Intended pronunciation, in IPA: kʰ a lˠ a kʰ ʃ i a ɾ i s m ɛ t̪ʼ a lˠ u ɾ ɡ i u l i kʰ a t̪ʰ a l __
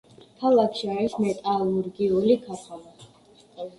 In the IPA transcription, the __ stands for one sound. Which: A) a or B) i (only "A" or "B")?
A